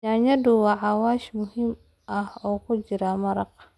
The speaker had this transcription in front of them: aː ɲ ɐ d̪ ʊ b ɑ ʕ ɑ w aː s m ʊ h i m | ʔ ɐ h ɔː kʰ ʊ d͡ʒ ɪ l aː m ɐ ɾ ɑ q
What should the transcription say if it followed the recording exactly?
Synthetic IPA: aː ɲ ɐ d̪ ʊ w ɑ ʕ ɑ w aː ʃ m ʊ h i m | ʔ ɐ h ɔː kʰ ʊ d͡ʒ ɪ ɾ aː m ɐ ɾ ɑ q